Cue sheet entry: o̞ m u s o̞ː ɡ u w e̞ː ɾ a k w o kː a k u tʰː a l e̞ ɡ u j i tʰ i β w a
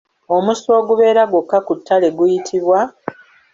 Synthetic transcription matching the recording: o̞ m u s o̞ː ɡ u β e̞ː ɾ a ɡ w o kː a k u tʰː a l e̞ ɡ u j i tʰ i β w a